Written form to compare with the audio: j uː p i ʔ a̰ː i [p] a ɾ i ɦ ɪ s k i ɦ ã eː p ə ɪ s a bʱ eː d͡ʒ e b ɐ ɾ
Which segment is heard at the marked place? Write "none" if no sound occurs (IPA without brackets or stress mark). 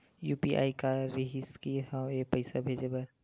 k